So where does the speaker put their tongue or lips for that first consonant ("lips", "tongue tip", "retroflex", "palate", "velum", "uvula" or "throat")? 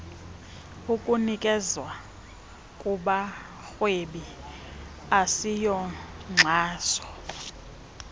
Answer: velum